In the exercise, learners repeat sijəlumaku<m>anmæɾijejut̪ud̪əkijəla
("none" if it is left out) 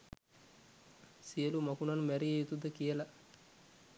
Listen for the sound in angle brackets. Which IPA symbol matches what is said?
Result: n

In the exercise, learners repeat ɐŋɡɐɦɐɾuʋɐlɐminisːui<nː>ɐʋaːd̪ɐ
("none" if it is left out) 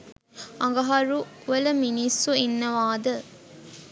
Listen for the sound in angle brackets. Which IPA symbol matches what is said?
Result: nː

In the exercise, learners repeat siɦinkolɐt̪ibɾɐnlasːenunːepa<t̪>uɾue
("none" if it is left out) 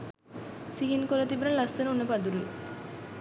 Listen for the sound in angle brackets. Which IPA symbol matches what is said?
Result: d̪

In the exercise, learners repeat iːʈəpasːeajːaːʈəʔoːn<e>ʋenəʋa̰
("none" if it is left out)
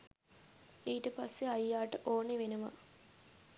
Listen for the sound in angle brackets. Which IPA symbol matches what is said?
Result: e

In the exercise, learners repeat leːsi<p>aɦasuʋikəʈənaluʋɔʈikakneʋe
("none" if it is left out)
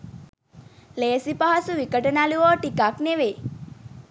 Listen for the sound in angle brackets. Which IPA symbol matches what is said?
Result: p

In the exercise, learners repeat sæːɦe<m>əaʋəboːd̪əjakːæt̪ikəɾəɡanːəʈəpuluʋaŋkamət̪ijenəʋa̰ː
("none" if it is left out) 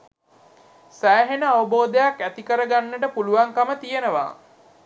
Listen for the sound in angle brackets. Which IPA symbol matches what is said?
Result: n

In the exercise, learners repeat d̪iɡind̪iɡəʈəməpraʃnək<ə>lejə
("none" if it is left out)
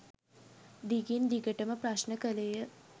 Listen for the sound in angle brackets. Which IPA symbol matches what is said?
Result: ə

